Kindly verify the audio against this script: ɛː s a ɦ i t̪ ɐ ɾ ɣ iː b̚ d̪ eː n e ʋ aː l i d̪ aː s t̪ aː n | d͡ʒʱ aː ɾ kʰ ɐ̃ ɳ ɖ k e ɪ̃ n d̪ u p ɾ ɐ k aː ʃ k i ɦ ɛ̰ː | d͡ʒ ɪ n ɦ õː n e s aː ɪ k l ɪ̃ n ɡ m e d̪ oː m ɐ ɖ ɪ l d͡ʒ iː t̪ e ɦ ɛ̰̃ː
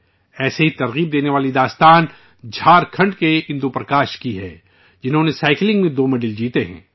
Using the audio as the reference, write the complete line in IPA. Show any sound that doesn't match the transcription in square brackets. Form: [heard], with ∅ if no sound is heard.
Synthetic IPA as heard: ɛː s [e] ɦ i t̪ ɐ ɾ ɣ iː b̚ d̪ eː n e ʋ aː l i d̪ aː s t̪ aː n | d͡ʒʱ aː ɾ kʰ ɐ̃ ɳ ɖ k e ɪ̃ n d̪ u p ɾ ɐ k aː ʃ k i ɦ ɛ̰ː | d͡ʒ ɪ n ɦ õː n e s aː ɪ k l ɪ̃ [ŋ] ɡ m [ẽ] d̪ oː m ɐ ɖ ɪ l d͡ʒ iː t̪ e ɦ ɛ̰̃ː

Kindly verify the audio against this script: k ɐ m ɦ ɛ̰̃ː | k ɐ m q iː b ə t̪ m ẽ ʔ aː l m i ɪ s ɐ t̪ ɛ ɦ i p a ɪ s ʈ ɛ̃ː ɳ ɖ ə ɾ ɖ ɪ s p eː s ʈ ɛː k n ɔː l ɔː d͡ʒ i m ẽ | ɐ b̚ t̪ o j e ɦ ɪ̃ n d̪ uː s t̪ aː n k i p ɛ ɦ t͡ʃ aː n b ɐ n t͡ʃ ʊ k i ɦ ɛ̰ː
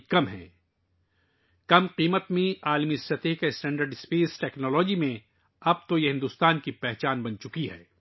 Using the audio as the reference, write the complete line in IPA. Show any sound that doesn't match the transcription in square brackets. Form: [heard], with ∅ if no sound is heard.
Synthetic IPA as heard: k ɐ m ɦ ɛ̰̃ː | k ɐ m q iː [m] ə t̪ m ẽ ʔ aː l m i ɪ s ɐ t̪ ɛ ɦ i [k] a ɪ s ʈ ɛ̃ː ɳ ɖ ə ɾ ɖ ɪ s p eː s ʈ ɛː k n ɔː l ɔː d͡ʒ i m ẽ | ɐ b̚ t̪ o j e ɦ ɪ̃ n d̪ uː s t̪ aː n k i p ɛ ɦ t͡ʃ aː n b ɐ n t͡ʃ ʊ k i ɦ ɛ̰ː

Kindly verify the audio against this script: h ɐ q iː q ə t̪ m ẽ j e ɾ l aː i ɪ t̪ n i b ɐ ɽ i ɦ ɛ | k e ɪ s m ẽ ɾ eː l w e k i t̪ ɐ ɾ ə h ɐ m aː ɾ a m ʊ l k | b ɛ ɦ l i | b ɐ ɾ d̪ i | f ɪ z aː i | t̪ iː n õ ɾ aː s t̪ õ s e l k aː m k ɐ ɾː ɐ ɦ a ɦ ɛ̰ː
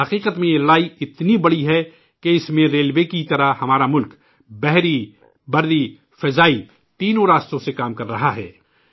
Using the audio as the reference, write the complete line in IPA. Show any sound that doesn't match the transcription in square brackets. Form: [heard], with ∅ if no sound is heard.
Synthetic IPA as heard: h ɐ q iː q ə t̪ m ẽ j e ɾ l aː i ɪ t̪ n i b ɐ ɽ i ɦ ɛ | k e ɪ s m ẽ ɾ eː l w e k i t̪ ɐ ɾ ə h ɐ m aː ɾ a m ʊ l k | b ɛ ɦ [ɾ] i | b ɐ ɾ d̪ i | f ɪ z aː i | t̪ iː n õ ɾ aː s t̪ õ s e [∅] k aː m k ɐ ɾː ɐ ɦ a ɦ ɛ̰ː

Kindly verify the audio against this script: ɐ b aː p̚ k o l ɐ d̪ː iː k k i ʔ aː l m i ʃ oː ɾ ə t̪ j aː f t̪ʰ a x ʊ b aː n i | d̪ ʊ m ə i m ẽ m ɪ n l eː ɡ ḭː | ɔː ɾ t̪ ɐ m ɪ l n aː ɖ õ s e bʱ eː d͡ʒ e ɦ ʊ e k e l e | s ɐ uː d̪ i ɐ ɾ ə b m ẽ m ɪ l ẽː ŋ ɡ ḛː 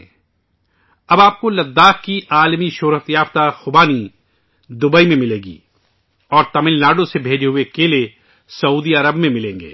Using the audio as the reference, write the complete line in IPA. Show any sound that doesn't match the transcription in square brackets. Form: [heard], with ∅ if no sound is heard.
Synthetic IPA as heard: ɐ b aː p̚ k o l ɐ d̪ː [aː] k k i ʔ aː l m i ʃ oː ɾ ə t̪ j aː f [t̪] a x ʊ b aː n i | d̪ ʊ [b] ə i m ẽ m ɪ [∅] l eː ɡ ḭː | ɔː ɾ t̪ ɐ m ɪ l n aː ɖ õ s e bʱ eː d͡ʒ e ɦ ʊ e k e l e | s ɐ uː d̪ i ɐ ɾ ə b m ẽ m ɪ l ẽː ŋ ɡ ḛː

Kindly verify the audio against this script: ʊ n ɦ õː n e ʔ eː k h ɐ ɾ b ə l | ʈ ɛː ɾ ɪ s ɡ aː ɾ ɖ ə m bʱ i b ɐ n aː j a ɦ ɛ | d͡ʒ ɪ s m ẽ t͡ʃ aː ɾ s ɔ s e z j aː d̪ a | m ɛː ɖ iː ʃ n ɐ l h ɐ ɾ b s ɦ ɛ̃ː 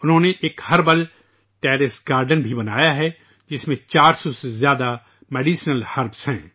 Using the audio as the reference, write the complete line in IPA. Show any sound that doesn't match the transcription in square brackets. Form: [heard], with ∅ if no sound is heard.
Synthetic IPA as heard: ʊ n ɦ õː n e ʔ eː k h ɐ ɾ b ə l | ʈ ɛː ɾ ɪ s ɡ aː ɾ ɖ ə [n] bʱ i b ɐ n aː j a ɦ ɛ | d͡ʒ ɪ s m ẽ t͡ʃ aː ɾ s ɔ s e z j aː d̪ a | m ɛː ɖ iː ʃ n [ə] l h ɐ ɾ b s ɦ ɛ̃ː

